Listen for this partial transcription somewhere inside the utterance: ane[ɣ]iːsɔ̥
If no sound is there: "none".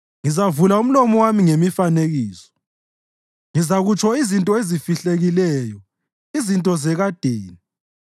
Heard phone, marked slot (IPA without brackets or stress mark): ɣ